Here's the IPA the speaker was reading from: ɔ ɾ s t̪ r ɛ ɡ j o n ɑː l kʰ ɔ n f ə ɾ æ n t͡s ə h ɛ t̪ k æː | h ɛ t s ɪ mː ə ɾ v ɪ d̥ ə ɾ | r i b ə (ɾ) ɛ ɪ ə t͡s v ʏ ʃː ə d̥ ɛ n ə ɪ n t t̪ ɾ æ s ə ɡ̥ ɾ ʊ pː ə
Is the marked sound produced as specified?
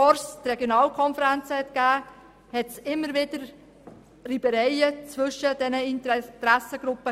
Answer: yes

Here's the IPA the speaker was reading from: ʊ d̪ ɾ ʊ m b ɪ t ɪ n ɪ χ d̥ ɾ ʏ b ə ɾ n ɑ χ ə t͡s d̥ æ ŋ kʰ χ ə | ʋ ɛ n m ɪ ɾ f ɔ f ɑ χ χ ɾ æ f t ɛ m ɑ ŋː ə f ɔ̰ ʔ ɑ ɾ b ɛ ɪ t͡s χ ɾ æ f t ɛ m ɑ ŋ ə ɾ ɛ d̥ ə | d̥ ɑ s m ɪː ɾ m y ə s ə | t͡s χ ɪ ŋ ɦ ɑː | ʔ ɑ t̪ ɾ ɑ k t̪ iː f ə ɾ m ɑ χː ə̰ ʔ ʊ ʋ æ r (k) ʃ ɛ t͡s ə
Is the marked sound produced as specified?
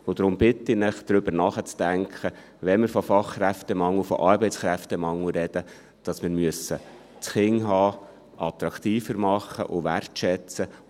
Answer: no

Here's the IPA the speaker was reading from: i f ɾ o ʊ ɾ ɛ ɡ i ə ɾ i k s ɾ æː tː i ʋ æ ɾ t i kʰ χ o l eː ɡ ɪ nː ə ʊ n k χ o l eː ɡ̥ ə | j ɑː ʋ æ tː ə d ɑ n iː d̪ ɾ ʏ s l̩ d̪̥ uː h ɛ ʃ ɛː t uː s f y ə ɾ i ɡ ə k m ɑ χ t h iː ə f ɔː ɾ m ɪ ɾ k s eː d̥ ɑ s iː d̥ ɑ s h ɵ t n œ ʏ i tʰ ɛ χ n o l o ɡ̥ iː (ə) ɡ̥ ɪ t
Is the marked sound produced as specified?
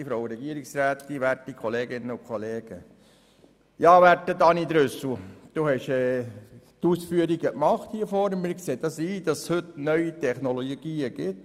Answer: yes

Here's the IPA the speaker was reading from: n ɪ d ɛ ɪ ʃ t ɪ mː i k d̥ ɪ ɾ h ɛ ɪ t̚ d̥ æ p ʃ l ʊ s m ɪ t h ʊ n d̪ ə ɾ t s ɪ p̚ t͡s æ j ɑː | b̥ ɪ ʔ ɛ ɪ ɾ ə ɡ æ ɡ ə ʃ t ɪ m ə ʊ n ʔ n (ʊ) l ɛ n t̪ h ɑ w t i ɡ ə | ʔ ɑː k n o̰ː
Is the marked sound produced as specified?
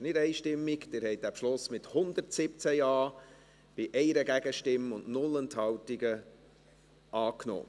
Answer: yes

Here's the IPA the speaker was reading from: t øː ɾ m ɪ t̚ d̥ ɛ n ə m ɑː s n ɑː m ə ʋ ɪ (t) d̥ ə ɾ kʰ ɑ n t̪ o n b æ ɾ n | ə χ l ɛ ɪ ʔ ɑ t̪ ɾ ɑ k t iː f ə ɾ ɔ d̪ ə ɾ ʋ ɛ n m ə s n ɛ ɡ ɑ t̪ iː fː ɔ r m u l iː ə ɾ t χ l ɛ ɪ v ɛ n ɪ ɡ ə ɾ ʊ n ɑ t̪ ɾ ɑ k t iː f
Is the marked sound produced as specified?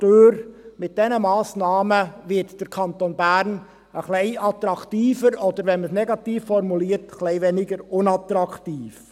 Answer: yes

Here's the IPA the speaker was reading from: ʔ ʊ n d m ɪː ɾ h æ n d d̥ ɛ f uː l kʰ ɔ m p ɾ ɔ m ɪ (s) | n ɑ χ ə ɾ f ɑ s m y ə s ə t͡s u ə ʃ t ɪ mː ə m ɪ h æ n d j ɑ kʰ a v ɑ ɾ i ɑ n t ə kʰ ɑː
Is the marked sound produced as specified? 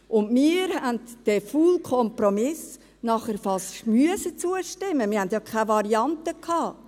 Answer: yes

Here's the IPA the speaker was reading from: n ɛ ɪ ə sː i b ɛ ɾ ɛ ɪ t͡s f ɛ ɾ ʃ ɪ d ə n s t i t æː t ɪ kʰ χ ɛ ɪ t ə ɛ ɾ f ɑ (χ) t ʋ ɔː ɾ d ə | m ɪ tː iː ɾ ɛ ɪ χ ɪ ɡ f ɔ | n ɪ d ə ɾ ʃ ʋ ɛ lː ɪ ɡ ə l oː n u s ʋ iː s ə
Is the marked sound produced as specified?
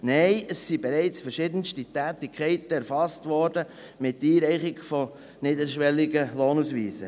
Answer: no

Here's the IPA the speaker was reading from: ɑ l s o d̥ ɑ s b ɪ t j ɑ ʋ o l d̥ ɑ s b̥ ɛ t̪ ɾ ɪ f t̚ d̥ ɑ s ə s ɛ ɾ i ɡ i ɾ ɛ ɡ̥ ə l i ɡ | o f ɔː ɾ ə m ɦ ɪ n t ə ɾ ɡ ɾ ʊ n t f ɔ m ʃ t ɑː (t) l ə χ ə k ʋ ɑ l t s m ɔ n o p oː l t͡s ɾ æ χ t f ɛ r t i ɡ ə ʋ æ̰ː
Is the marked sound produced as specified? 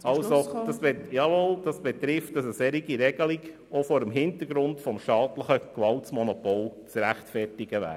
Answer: yes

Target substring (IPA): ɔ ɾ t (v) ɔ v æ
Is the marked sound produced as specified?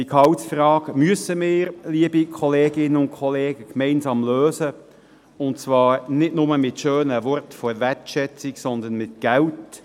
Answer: no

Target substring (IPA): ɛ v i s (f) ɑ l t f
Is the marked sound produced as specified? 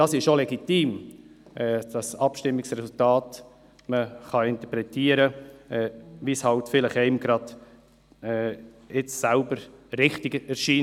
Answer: no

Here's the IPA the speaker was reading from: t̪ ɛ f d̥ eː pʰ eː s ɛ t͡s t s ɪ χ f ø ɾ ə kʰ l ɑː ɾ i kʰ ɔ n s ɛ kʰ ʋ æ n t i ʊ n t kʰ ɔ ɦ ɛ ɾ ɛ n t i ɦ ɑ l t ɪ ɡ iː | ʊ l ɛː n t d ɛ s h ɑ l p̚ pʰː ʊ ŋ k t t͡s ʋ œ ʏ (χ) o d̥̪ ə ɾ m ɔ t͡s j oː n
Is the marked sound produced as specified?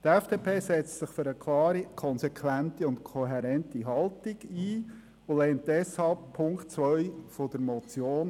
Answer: no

